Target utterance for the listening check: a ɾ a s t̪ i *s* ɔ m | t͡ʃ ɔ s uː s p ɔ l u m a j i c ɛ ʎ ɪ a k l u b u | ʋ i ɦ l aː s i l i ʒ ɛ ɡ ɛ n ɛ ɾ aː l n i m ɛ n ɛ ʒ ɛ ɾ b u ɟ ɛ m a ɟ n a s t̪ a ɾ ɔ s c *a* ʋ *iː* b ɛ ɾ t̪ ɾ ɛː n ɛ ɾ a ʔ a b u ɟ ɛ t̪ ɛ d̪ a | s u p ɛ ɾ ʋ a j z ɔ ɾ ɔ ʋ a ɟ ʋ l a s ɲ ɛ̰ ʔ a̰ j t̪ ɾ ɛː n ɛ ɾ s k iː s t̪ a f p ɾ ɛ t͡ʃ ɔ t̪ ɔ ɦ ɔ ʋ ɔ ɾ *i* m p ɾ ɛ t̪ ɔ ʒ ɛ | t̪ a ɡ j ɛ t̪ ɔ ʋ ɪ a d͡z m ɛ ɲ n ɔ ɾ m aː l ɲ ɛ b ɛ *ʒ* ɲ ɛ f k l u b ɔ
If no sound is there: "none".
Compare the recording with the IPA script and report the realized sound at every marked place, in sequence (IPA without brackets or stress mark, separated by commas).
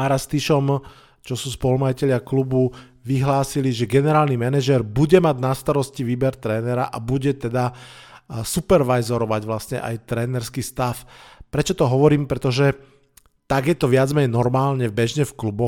ʃ, i, iː, iː, ʒ